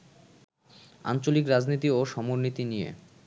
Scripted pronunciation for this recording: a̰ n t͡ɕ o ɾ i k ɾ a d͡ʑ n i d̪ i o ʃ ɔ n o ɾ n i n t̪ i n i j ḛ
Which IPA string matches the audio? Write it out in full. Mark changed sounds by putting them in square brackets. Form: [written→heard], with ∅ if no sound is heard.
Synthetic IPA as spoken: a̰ n t͡ɕ o [ɾ→l] i k ɾ a d͡ʑ n i [d̪→t̪] i o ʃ ɔ [n→m] o ɾ n i [n→∅] t̪ i n i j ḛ